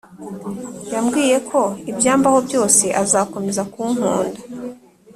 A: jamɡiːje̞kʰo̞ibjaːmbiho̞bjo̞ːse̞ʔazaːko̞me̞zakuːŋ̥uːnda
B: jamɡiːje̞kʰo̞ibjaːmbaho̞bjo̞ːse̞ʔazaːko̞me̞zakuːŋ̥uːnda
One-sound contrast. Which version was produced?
B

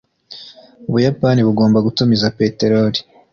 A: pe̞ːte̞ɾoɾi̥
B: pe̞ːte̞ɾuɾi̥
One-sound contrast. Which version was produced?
A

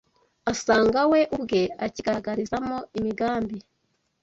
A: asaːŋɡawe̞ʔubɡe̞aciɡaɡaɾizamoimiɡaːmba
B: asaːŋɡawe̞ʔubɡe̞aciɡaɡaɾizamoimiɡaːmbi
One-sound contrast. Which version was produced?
B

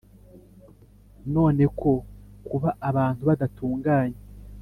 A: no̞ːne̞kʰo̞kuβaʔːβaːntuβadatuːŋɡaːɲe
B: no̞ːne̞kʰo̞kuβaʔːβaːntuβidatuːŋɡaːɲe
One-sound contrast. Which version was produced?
A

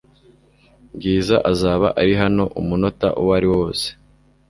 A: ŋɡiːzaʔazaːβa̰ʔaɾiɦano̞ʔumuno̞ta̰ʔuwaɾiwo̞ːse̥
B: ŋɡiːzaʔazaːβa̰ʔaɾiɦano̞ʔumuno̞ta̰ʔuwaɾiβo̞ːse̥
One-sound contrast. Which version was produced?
A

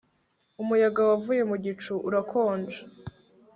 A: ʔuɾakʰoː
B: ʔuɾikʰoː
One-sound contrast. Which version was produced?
A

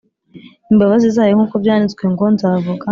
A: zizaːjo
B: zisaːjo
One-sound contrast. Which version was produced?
A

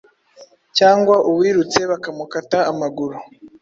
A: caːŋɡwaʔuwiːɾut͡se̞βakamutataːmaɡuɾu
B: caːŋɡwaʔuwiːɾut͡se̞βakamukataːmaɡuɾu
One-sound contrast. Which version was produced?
B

